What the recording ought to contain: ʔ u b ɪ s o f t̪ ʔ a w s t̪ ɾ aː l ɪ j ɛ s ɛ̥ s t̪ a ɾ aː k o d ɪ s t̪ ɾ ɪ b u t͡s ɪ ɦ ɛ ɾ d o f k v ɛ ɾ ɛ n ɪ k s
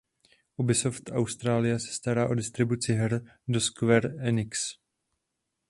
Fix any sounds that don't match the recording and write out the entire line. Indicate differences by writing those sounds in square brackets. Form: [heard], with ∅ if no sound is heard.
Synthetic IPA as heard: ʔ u b ɪ s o f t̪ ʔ a w s t̪ ɾ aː l ɪ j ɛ s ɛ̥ s t̪ a ɾ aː [ʔ] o d ɪ s t̪ ɾ ɪ b u t͡s ɪ ɦ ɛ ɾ d o [s] k v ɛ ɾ ɛ n ɪ k s

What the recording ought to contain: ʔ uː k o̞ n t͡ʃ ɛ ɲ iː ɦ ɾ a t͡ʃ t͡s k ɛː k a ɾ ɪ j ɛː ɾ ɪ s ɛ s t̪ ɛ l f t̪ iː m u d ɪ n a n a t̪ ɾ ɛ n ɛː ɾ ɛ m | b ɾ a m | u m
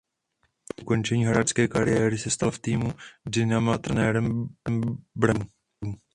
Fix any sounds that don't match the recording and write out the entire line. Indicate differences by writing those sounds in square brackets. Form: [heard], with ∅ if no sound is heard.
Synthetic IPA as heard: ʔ [u] k o̞ n t͡ʃ ɛ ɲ iː ɦ ɾ a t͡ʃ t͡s k ɛː k a ɾ ɪ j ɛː ɾ ɪ s ɛ s t̪ [a] l f t̪ iː m u d ɪ n a [m] a t̪ ɾ ɛ n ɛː ɾ ɛ m | b ɾ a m | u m

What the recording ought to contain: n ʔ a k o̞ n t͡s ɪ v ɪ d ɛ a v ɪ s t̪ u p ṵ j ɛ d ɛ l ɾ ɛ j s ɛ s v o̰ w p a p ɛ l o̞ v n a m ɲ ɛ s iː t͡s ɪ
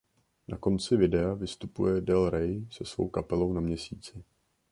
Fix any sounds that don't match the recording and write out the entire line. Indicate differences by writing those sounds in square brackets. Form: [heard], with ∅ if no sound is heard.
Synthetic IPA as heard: n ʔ a k o̞ n t͡s ɪ v ɪ d ɛ a v ɪ s t̪ u p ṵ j ɛ d ɛ l ɾ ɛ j s ɛ s v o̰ w [k] a p ɛ l o̞ [w] n a m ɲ ɛ s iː t͡s ɪ

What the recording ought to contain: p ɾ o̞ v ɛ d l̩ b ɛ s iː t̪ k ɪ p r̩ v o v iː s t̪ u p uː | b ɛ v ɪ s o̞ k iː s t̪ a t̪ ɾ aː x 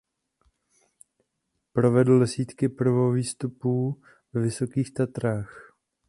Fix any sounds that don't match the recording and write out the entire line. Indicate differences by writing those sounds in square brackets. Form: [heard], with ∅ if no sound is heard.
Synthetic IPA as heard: p ɾ o̞ v ɛ d l̩ [d] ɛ s iː t̪ k ɪ p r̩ v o v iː s t̪ u p uː | [v] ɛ v ɪ s o̞ k iː [x] t̪ a t̪ ɾ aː x

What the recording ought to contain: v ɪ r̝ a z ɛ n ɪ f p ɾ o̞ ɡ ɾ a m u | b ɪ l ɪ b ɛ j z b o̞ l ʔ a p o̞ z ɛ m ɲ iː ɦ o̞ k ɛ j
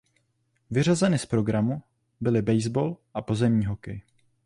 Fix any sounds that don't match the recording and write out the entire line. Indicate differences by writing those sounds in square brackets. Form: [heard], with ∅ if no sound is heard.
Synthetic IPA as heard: v ɪ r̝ a z ɛ n ɪ [s] p ɾ o̞ ɡ ɾ a m u | b ɪ l ɪ b ɛ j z b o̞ l ʔ a p o̞ z ɛ m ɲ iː ɦ o̞ k ɛ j

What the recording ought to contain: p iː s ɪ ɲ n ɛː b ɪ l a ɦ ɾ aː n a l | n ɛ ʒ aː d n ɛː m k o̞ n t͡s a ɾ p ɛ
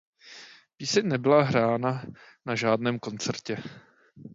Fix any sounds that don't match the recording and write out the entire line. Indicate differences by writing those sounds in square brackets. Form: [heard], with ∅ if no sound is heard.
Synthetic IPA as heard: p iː s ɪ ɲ n [ɛ] b ɪ l a ɦ ɾ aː n a [∅] | n [a] ʒ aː d n ɛː m k o̞ n t͡s [ɛ] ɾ [c] ɛ

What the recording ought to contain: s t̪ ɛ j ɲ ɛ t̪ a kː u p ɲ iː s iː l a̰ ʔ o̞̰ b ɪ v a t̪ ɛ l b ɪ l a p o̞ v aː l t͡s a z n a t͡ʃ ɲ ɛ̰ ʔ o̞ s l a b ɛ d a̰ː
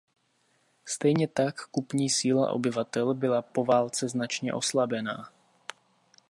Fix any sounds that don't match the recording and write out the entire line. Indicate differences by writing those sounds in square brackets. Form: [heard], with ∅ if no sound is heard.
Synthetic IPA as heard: s t̪ ɛ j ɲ ɛ t̪ a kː u p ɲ iː s iː l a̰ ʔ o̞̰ b ɪ v a t̪ ɛ l b ɪ l a p o̞ v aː l t͡s [ɛ] z n a t͡ʃ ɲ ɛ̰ ʔ o̞ s l a b ɛ [n] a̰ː

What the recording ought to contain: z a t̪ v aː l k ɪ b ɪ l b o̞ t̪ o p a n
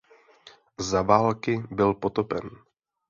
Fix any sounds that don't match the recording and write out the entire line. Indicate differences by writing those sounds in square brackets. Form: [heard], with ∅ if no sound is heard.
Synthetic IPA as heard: z a [∅] v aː l k ɪ b ɪ l [p] o̞ t̪ o p [ɛ] n

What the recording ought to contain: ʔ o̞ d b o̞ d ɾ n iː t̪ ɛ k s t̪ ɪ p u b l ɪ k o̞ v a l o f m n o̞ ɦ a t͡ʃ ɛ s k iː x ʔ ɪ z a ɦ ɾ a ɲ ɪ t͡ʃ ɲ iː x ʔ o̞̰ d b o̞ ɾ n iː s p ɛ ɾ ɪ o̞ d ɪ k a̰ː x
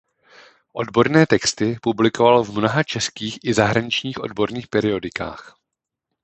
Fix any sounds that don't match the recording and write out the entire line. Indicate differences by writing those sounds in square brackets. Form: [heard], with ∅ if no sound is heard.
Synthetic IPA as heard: ʔ o̞ d b o̞ [∅] ɾ n [ɛː] t̪ ɛ k s t̪ ɪ p u b l ɪ k o̞ v a l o [v] m n o̞ ɦ a t͡ʃ ɛ s k iː x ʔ ɪ z a ɦ ɾ a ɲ ɪ t͡ʃ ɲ iː x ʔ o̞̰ d b o̞ ɾ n iː [x] p ɛ ɾ ɪ o̞ d ɪ k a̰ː x

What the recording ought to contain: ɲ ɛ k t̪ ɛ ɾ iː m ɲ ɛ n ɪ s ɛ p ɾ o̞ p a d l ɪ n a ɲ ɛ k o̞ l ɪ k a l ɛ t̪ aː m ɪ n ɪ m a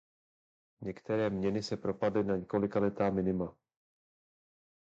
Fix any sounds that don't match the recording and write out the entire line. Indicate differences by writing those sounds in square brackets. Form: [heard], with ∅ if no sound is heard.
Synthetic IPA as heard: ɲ ɛ k t̪ ɛ ɾ [ɛː] m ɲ ɛ n ɪ s ɛ p ɾ o̞ p a d l ɪ n a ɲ ɛ k o̞ l ɪ k a l ɛ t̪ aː m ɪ n ɪ m a

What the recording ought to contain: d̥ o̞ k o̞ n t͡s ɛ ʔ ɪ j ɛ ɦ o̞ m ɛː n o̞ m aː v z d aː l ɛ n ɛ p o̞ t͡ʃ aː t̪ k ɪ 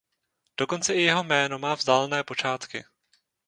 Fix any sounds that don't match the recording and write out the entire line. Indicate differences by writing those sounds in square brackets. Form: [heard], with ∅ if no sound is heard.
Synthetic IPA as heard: d̥ o̞ k o̞ n t͡s ɛ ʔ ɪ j ɛ ɦ o̞ m ɛː n o̞ m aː v z d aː l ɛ n [ɛː] p o̞ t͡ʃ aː t̪ k ɪ

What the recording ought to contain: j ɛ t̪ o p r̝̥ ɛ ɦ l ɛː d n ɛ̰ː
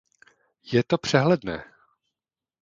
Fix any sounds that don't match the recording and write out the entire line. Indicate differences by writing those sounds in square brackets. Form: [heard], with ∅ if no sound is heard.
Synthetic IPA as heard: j ɛ t̪ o p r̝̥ ɛ ɦ l [ɛ] d n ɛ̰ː

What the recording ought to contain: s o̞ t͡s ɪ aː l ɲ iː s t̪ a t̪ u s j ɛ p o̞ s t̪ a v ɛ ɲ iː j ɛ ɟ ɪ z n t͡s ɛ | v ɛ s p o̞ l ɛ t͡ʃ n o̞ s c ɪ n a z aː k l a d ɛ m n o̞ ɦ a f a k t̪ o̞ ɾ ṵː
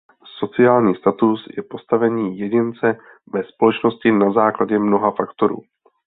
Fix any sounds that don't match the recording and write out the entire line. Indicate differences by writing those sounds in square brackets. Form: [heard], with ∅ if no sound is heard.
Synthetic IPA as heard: s o̞ t͡s ɪ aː l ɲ iː s t̪ a t̪ u s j ɛ p o̞ s t̪ a v ɛ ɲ iː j ɛ ɟ ɪ [∅] n t͡s ɛ | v ɛ s p o̞ l ɛ t͡ʃ n o̞ s c ɪ n a z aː k l a [ɟ] ɛ m n o̞ ɦ a f a k t̪ o̞ ɾ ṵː

